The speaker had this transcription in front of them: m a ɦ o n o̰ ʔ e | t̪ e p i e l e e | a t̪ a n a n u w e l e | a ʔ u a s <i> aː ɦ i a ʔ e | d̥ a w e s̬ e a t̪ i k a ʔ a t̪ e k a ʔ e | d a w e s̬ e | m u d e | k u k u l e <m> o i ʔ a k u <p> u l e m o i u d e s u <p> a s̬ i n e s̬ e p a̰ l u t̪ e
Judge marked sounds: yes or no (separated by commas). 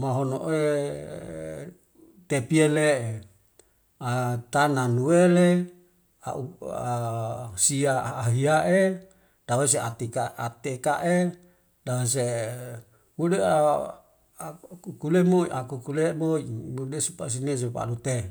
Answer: yes, yes, no, yes